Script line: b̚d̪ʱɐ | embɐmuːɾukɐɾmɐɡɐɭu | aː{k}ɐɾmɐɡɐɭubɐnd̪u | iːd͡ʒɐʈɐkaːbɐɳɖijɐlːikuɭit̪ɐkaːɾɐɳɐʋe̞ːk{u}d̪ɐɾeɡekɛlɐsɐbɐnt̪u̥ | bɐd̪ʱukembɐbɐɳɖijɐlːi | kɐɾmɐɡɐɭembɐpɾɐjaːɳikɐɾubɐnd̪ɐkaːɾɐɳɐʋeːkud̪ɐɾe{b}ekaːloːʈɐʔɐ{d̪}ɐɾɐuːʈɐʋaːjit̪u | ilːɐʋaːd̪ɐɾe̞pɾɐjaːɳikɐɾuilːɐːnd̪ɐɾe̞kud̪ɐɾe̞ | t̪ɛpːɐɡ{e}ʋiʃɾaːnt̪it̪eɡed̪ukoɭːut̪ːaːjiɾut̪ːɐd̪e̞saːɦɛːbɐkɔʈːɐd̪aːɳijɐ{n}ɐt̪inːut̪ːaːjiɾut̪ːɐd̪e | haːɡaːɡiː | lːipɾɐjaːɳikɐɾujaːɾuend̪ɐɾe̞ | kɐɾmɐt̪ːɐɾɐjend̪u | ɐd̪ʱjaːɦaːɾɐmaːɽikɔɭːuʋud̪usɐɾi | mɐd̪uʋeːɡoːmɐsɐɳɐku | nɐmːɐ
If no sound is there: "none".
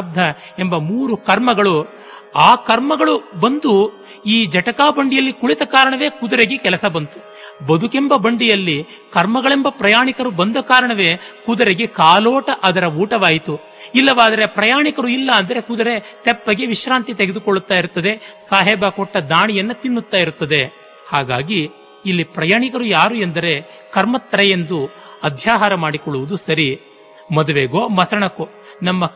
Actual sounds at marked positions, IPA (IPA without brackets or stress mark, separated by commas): k, u, ɡ, d̪, e, nː